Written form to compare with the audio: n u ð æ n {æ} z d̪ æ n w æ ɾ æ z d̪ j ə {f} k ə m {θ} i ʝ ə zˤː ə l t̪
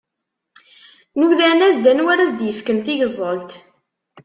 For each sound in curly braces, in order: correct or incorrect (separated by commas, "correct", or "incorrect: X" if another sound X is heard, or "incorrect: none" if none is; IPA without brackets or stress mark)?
correct, correct, correct